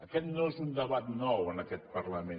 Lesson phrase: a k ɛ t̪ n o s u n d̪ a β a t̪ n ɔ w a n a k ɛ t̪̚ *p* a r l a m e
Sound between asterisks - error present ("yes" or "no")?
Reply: no